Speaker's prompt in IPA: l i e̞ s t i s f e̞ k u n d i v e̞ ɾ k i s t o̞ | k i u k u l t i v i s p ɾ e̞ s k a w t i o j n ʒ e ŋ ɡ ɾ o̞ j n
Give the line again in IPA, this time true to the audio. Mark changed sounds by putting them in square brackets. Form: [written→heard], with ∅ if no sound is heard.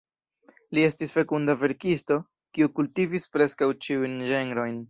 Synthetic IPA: l i e̞ s t i s f e̞ k u n d [i→a] v e̞ ɾ k i s t o̞ | k i u k u l t i v i s p ɾ e̞ s k a w [t→t͡ʃ] i [o→u] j n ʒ e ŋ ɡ ɾ o̞ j n